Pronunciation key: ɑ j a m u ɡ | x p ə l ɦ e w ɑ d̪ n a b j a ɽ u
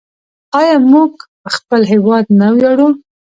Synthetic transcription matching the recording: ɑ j ɑ m u ɡ | x p ə l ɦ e w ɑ d̪ n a w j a ɽ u